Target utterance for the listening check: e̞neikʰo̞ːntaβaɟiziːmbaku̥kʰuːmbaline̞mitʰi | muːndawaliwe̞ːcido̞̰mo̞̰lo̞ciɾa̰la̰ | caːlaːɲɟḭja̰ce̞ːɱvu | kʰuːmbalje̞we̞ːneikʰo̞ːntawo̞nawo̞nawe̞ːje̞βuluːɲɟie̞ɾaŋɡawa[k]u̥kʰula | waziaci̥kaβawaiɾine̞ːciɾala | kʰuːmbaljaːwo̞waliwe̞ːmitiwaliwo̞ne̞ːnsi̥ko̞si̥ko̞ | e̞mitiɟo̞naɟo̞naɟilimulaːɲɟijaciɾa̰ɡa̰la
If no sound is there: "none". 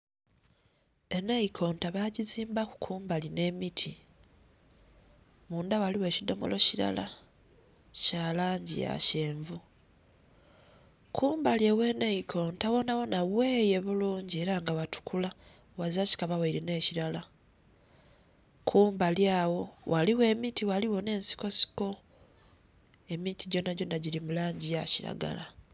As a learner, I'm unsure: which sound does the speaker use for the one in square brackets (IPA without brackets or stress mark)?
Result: t